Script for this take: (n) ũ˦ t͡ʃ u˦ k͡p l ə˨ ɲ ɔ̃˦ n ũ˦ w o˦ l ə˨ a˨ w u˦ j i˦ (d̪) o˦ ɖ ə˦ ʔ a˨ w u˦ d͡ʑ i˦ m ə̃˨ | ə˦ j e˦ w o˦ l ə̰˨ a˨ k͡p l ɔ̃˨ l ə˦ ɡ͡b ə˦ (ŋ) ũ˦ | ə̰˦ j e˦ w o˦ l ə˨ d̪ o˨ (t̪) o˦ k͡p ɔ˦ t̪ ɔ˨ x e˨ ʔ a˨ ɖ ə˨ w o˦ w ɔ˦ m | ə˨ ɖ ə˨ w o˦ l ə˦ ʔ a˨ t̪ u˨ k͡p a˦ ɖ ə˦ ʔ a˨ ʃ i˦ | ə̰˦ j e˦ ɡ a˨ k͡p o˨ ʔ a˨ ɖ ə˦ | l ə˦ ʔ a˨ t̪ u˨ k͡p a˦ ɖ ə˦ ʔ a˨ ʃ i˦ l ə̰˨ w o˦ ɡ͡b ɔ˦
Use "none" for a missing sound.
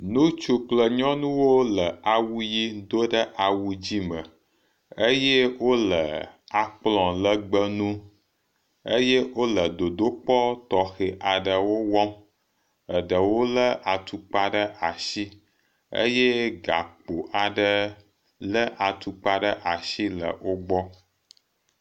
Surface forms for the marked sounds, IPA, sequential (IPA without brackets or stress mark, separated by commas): n, d̪, n, d̪